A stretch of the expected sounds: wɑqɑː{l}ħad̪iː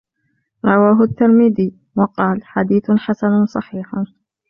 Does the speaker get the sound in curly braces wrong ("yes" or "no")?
no